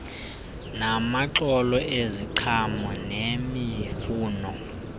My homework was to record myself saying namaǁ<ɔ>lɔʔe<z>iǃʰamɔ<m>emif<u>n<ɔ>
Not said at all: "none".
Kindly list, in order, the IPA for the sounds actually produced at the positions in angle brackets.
ɔ, z, n, uː, ɔ

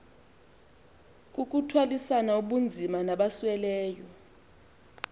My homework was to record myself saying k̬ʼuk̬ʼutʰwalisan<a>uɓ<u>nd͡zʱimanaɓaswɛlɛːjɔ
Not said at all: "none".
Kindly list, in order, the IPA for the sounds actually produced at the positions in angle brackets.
a, u

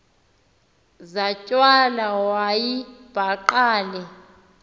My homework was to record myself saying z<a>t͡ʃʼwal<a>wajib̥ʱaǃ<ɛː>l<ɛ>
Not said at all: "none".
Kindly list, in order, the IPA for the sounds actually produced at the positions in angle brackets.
a, a, aː, ɛ

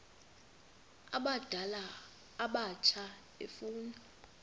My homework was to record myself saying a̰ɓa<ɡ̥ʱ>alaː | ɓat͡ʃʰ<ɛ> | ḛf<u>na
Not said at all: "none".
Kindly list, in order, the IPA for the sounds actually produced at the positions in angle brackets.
d̥ʱ, a, uː

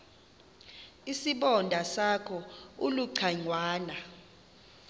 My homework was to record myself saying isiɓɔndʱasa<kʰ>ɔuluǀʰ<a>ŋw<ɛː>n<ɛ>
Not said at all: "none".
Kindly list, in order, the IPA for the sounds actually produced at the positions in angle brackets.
kʰ, a, aː, a

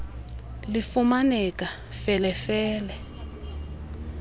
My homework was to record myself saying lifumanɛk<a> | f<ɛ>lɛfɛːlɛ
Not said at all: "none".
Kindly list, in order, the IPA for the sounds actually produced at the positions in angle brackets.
a, ɛ

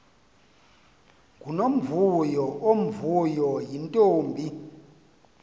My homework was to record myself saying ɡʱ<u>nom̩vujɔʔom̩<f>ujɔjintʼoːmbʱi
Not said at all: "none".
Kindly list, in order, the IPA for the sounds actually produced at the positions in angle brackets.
u, v

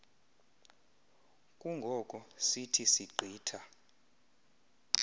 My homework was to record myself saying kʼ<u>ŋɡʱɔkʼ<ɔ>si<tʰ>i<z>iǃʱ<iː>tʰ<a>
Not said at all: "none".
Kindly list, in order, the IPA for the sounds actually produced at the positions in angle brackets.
u, ɔ, tʰ, s, iː, a

